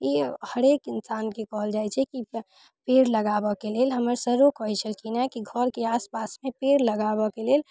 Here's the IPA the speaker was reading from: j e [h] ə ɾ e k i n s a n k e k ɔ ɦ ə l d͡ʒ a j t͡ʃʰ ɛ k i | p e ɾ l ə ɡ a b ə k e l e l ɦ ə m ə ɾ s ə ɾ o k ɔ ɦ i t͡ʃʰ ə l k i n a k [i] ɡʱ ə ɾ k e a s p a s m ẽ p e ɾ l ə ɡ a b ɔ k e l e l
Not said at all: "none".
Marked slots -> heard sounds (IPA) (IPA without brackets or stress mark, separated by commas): h, i